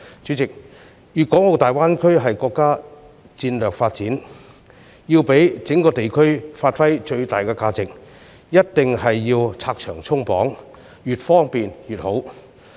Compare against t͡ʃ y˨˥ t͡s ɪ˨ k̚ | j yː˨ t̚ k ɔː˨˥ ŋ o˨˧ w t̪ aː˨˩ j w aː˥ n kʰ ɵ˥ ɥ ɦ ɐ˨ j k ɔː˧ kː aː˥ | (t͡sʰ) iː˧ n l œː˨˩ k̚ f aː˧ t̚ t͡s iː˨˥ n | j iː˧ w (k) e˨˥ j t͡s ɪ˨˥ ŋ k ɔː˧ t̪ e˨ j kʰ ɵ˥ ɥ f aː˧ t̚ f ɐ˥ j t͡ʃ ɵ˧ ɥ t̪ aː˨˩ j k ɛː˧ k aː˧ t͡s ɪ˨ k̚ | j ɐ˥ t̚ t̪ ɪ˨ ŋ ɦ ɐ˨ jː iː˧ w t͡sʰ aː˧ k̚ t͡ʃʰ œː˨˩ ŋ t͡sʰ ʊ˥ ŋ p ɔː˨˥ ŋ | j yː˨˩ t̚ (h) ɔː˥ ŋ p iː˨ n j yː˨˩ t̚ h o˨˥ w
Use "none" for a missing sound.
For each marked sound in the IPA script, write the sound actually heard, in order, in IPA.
t͡s, p, f

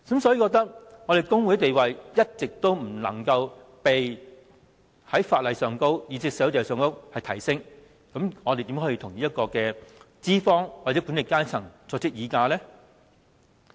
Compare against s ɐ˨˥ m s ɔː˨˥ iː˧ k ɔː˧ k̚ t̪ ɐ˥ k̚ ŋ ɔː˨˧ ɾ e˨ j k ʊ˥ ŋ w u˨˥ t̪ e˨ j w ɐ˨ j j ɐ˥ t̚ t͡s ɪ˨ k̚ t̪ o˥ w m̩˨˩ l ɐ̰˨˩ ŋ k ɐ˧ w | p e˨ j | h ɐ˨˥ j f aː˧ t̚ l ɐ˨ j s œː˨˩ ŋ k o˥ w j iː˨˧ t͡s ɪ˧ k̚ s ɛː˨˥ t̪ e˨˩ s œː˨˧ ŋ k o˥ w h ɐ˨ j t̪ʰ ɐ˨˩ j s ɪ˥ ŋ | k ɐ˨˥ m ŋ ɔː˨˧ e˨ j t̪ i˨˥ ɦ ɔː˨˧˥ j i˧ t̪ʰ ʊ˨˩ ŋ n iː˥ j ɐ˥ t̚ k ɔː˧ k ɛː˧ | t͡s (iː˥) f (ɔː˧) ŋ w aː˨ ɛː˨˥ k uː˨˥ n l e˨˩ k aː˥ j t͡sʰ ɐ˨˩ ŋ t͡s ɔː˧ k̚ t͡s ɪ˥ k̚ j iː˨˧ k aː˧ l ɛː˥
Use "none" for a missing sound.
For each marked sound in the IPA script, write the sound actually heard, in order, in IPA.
iː˥, ɔː˥

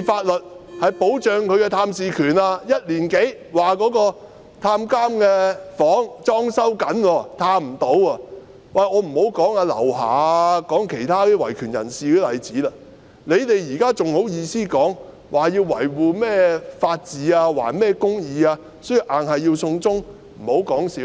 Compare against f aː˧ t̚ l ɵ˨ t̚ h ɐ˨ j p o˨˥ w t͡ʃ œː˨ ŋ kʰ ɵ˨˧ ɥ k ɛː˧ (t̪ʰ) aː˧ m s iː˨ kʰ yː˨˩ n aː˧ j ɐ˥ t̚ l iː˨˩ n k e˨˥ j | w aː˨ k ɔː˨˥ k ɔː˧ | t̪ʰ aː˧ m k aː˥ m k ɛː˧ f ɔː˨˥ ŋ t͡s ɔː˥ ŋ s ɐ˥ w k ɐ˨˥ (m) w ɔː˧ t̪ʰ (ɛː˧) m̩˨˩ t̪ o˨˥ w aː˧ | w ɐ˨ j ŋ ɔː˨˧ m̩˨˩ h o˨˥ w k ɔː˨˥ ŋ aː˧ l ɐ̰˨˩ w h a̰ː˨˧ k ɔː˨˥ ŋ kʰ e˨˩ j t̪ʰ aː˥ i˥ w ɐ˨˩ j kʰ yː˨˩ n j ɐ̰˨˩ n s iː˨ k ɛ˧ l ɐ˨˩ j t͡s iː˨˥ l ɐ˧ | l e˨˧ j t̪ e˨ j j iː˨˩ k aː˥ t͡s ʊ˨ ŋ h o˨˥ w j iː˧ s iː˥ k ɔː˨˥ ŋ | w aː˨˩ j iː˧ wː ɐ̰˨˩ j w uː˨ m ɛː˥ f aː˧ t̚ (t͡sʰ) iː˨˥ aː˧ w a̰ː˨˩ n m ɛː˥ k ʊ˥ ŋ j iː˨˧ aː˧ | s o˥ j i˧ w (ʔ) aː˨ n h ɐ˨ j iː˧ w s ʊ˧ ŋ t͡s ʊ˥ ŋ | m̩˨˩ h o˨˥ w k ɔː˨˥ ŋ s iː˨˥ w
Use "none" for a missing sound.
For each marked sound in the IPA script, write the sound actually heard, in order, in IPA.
t̪ʰ, n, aː˧, t͡s, ʔ

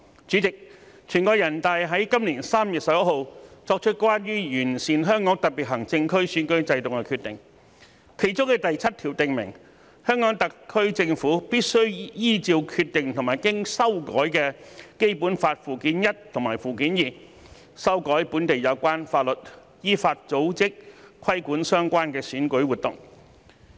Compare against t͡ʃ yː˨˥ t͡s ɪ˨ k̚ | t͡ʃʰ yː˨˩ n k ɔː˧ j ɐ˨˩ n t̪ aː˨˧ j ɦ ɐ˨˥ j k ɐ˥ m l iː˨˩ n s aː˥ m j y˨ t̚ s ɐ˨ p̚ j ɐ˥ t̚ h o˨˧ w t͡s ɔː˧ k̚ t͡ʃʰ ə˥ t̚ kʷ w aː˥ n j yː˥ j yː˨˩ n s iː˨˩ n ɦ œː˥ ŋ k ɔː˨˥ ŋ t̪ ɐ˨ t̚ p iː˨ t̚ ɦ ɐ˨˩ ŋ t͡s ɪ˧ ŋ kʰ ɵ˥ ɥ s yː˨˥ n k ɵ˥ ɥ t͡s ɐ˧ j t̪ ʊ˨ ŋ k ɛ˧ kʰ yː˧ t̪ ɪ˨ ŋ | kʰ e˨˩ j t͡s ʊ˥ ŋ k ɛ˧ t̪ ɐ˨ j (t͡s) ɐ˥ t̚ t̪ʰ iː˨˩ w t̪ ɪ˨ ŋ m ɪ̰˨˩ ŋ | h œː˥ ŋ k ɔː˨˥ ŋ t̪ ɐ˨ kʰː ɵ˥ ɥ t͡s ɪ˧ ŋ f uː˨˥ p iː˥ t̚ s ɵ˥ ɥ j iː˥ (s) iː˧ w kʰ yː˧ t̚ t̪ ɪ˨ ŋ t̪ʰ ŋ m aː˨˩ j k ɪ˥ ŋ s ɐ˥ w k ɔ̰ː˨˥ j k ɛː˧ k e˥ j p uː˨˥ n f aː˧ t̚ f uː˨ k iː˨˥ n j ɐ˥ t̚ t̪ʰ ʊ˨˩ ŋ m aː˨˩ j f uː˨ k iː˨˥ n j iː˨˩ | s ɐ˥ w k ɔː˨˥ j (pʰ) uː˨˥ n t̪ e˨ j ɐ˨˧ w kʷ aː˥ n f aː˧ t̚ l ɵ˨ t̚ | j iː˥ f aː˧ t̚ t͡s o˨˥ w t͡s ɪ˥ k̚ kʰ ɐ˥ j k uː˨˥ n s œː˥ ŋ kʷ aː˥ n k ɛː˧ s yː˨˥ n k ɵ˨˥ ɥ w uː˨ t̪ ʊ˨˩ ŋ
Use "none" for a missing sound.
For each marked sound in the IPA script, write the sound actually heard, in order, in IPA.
t͡sʰ, t͡s, p

